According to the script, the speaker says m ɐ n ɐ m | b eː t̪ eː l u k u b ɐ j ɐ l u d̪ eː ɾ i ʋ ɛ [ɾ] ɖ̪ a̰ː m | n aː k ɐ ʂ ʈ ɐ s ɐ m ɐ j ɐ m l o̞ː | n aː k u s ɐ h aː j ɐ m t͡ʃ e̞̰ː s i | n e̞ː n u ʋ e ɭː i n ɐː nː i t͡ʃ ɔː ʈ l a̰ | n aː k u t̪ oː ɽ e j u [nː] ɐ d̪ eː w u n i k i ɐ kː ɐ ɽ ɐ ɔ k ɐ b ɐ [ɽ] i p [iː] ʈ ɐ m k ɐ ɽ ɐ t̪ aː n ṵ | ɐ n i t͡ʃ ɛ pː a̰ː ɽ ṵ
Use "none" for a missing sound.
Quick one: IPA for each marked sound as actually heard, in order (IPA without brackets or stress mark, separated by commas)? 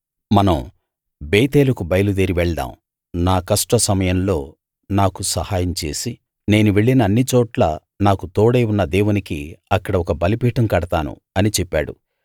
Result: ɭ, nː, l, iː